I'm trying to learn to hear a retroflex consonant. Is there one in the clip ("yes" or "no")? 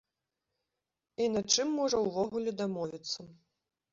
yes